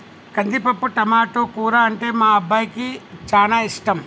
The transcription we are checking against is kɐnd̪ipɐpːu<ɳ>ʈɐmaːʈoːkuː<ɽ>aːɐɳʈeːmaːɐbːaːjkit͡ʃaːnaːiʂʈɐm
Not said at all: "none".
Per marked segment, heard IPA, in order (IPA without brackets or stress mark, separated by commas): none, ɾ